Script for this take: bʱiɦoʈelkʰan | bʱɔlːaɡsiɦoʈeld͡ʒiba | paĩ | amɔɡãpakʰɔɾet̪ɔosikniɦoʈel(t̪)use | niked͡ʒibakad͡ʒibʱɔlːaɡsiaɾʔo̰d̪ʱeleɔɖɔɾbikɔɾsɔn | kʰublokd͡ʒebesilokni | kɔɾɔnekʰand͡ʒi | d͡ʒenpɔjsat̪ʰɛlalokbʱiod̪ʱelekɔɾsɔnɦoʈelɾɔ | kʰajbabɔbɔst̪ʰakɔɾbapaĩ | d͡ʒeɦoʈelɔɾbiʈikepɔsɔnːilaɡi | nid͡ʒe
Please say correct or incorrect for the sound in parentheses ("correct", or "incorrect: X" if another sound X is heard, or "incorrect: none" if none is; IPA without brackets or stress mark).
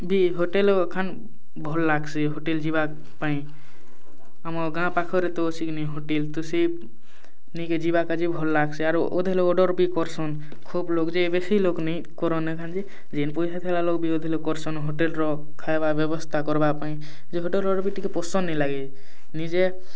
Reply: correct